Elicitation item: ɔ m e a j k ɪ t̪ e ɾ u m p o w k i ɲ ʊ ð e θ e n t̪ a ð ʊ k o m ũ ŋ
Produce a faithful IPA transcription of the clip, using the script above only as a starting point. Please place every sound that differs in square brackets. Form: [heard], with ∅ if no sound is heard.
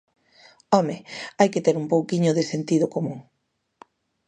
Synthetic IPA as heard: ɔ m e a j k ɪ t̪ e ɾ u m p o w k i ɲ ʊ ð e [s] e n t̪ [i] ð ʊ k o m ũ ŋ